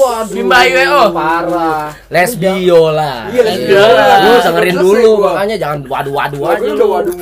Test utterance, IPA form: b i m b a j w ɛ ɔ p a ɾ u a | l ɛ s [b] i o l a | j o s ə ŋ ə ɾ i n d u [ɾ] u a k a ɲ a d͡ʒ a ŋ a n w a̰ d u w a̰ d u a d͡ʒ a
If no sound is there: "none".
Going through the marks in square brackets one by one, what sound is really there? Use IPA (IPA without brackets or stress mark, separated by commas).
b, l